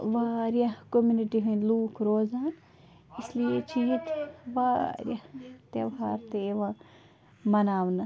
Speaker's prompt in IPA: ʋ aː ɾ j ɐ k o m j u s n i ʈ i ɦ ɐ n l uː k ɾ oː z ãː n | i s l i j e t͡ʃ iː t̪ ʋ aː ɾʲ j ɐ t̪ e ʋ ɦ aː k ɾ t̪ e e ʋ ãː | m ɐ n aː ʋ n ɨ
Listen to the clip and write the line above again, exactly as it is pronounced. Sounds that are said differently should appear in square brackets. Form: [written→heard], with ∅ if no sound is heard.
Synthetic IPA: ʋ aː ɾ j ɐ k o m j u [s→∅] n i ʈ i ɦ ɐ n l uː k ɾ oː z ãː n | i s l i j e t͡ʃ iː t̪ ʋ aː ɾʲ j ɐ t̪ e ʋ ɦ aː [k→∅] ɾ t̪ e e ʋ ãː | m ɐ n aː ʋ n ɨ